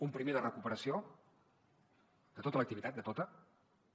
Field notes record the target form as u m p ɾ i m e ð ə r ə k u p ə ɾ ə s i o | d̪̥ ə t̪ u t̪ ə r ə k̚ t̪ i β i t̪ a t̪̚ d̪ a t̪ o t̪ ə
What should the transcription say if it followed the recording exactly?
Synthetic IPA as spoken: u m p ɾ i m e ð ə r ə k u p ə ɾ ə s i o | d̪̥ ə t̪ o t̪ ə l ə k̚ t̪ i β i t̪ a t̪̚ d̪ ə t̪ o t̪ ə